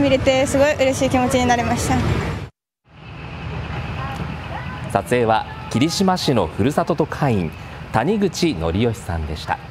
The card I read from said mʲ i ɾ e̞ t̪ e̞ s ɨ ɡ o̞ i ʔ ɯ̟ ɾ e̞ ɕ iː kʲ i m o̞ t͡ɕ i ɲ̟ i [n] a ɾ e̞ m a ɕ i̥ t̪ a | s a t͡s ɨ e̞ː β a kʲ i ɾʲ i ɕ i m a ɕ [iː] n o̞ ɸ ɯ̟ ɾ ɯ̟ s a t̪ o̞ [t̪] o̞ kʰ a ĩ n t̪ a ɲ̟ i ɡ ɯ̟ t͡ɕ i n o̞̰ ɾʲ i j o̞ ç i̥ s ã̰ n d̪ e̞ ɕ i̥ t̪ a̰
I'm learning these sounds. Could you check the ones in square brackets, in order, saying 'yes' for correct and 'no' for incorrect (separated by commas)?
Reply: yes, no, yes